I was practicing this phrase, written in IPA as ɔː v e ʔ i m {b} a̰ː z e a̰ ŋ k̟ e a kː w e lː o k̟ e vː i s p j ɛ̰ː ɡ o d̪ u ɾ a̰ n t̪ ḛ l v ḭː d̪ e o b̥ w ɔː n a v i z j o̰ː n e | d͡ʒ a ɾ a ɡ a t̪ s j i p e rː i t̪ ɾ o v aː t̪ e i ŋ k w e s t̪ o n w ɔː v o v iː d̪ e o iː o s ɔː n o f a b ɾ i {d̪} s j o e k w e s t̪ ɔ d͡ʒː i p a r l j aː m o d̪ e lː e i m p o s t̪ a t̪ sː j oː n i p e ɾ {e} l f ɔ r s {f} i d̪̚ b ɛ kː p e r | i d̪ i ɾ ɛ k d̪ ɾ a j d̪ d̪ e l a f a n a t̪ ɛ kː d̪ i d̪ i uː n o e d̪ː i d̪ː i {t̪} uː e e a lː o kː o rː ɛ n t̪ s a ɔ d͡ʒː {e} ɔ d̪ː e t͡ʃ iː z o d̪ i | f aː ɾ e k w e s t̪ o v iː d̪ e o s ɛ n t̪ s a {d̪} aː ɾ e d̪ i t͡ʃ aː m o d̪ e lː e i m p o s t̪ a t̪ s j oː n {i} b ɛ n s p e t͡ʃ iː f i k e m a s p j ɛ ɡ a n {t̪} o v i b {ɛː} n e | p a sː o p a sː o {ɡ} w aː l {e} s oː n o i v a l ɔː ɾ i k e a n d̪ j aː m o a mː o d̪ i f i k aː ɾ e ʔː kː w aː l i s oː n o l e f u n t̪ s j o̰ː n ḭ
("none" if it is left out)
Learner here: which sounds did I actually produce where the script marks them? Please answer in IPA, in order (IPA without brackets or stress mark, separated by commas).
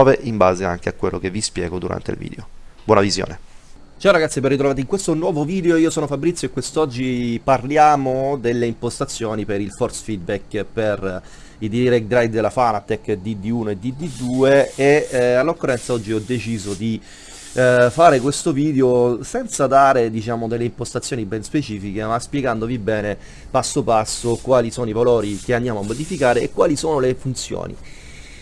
b, t̪, i, f, d̪, i, d̪, i, d̪, ɛː, k, i